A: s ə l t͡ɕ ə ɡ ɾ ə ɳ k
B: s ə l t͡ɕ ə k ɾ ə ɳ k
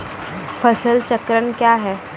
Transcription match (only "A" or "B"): B